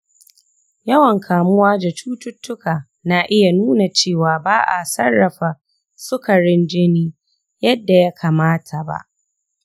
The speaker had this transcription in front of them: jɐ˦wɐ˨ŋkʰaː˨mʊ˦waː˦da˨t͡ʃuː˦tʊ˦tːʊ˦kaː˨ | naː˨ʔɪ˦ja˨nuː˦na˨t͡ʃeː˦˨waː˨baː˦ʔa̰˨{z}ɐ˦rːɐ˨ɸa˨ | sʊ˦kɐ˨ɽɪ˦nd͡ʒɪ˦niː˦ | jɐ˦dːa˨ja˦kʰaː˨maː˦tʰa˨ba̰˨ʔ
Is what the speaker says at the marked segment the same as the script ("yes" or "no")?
no